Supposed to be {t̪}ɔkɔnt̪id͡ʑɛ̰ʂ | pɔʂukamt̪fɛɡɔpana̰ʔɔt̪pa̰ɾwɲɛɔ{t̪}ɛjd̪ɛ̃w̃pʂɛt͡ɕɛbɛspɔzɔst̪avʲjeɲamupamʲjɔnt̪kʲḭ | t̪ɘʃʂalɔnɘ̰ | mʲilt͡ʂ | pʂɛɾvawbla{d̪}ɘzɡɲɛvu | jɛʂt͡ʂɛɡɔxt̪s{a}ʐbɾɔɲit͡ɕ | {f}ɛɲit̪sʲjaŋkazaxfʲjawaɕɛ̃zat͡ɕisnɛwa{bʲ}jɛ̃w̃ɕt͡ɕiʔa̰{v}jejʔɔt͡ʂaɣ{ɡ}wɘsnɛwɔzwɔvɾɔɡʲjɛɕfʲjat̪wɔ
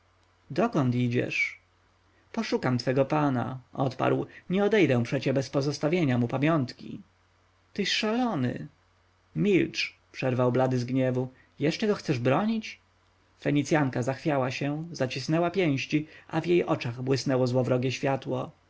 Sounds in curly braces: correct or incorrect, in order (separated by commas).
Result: incorrect, incorrect, correct, incorrect, correct, incorrect, correct, incorrect